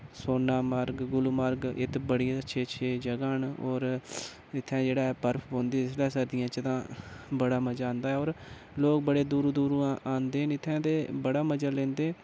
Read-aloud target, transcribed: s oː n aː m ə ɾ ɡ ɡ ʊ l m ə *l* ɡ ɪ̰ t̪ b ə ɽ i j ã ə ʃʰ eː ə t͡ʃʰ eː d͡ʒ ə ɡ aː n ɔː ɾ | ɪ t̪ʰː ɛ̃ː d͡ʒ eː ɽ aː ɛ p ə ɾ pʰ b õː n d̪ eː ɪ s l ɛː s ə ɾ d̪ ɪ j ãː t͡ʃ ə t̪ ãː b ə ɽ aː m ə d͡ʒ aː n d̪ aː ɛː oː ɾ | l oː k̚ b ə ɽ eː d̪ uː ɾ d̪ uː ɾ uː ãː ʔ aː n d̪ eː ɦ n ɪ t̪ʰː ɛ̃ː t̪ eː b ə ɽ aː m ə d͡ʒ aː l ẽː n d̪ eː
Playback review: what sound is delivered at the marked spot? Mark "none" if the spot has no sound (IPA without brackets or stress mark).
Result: ɾ